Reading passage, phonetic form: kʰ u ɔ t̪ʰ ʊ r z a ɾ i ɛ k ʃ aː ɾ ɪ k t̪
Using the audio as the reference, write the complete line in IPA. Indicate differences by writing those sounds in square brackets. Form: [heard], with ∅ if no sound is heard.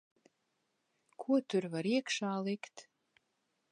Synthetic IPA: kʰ u ɔ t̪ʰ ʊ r [v] a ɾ i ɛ k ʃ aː [l] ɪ k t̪